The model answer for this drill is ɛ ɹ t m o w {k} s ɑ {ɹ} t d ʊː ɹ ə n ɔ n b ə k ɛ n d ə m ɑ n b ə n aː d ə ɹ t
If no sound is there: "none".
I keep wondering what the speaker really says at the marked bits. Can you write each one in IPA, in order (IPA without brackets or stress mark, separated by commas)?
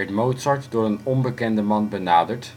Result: t, ɹ